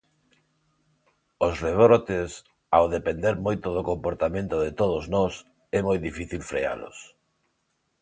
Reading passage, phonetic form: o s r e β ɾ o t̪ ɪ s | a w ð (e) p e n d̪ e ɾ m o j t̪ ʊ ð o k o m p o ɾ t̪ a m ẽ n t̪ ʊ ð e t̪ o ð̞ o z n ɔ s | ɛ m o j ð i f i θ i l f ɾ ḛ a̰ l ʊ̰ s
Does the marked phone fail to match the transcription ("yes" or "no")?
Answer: no